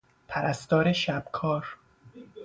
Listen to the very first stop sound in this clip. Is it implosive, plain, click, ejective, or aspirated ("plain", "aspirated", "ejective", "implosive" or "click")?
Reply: aspirated